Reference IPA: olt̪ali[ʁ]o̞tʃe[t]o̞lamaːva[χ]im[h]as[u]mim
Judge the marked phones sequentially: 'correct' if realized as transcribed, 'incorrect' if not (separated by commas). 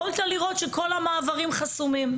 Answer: correct, incorrect, incorrect, incorrect, correct